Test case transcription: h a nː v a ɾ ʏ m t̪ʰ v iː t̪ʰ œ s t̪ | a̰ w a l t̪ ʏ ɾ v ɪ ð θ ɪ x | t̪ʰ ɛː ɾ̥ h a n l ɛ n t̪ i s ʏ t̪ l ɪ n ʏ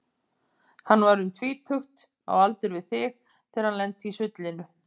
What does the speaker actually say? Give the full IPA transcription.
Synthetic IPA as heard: h a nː v a ɾ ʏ m t̪ʰ v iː t̪ʰ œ x t̪ | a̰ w a l t̪ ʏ ɾ v ɪ ð θ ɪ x | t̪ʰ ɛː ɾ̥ h a n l ɛ n t̪ i s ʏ t̪ l ɪ n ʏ

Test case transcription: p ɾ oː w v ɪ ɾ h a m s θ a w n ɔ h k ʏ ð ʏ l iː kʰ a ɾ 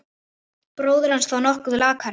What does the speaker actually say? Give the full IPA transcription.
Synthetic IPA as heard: p ɾ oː w ð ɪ ɾ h a n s θ a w n ɔ h k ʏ ð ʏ l aː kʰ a ɾ

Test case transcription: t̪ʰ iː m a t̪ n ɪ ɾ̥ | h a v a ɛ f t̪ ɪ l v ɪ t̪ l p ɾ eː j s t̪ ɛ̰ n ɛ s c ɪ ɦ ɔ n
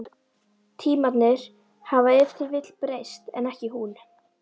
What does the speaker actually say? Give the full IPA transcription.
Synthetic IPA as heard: t̪ʰ iː m a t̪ n ɪ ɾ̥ | h a v a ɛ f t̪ ɪ ɾ v ɪ t̪ l p ɾ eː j s t̪ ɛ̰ n ɛ h c ɪ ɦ u n

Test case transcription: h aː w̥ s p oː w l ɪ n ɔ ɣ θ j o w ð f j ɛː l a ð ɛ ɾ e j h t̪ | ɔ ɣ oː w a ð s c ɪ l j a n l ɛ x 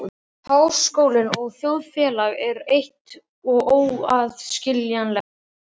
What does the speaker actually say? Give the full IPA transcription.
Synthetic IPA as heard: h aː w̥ s k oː w l ɪ n ɔ ɣ θ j o w ð f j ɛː l a ɣ ɛ ɾ e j h t̪ | ɔ ɣ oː w a ð s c ɪ l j a n l ɛ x

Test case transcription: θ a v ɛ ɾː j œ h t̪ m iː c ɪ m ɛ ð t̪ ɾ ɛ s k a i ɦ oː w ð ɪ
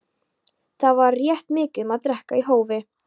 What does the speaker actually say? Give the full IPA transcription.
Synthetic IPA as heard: θ a v a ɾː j ɛ h t̪ m ɪː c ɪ m a ð t̪ ɾ ɛ h k a i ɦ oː w v ɪ

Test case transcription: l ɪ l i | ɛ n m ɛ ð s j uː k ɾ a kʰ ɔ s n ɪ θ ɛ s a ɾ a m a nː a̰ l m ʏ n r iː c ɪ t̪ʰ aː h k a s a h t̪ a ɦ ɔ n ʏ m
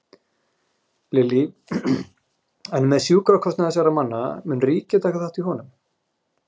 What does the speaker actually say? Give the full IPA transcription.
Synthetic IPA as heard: l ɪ l i | ɛ n m ɛ ð s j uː k ɾ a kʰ ɔ s n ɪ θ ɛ s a ɾ a m a nː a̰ m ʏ n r iː c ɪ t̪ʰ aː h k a θ a h t̪ i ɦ ɔ n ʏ m

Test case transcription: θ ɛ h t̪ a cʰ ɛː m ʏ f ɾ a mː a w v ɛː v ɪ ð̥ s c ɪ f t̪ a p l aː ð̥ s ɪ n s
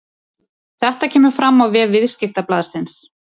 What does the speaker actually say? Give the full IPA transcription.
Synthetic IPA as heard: θ ɛ h t̪ a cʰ ɛː m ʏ f ɾ a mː a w v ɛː v ɪ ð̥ s c ɪ f t̪ a p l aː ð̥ s ɪ n s

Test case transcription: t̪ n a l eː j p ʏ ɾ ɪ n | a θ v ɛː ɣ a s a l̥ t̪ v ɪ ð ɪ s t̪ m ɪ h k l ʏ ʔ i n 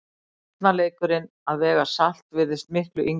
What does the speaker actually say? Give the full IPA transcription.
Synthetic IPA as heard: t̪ n a l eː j k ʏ ɾ ɪ n | a ð v ɛː ɣ a s a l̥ t̪ v ɪ ð ɪ s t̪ m ɪ h k l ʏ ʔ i ŋ

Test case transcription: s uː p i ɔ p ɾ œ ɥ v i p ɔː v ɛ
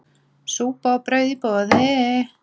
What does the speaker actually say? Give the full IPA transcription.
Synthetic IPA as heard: s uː p a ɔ p ɾ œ ɥ ð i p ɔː ð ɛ

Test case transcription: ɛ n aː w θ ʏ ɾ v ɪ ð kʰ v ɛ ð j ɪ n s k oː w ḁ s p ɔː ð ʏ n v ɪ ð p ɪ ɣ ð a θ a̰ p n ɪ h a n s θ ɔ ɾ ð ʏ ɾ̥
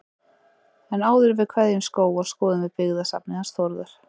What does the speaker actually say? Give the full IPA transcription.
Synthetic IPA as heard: ɛ n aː w ð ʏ ɾ v ɪ ð kʰ v ɛ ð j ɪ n s k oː w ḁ s k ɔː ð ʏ n v ɪ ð p ɪ ɣ ð a s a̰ p n ɪ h a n s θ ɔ ɾ ð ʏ ɾ̥

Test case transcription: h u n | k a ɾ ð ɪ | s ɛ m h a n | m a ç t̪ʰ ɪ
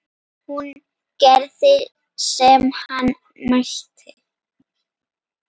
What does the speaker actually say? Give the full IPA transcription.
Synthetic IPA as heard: h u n | k ɛ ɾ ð ɪ | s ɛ m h a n | m a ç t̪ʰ ɪ

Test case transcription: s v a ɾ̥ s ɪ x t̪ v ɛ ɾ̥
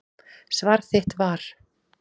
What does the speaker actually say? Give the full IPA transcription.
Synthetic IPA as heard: s v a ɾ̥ θ ɪ h t̪ v a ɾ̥

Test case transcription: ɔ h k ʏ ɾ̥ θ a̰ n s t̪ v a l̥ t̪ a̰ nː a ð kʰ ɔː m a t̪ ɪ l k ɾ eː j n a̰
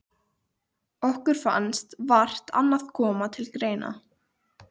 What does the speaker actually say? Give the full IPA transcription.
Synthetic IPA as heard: ɔ h k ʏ ɾ̥ f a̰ n s t̪ v a r̥ t̪ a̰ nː a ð kʰ ɔː m a t̪ʰ ɪ l k ɾ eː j n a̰

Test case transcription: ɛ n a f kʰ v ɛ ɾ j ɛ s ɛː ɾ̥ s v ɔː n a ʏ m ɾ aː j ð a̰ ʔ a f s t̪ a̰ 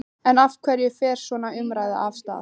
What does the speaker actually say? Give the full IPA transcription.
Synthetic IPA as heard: ɛ n a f kʰ v ɛ ɾ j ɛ f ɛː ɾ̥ s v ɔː n a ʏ m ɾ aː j ð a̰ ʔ a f s t̪ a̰

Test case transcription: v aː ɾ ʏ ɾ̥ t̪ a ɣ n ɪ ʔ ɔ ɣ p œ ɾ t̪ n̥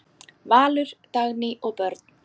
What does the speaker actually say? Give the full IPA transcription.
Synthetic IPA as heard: v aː l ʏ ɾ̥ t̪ a ɣ n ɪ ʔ ɔ ɣ p œ ɾ t̪ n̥

